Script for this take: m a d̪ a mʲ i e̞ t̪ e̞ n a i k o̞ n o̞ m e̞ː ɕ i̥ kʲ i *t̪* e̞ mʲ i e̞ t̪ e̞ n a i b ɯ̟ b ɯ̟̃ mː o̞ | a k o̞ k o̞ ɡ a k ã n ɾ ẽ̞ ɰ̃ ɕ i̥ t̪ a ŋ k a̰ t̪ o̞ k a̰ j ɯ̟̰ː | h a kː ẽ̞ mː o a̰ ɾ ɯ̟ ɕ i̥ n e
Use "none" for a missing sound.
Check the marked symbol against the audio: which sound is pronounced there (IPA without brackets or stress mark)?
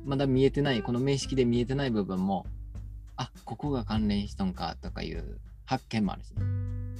d̪